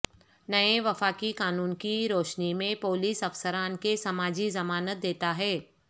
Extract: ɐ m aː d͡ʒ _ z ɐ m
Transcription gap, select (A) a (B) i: B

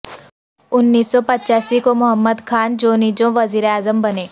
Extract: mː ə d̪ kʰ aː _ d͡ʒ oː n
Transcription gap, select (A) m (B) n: B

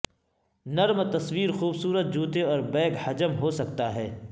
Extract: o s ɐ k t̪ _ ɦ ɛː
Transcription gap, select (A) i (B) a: B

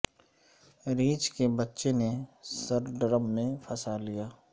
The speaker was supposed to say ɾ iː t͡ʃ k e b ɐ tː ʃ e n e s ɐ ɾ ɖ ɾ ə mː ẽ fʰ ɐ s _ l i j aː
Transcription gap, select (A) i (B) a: B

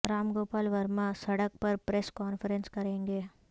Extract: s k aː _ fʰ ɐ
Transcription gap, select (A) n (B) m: A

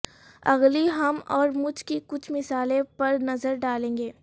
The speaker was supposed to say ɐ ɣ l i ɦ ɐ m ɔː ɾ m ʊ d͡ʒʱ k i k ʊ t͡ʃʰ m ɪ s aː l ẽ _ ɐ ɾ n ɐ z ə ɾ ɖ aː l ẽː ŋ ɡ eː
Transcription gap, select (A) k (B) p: B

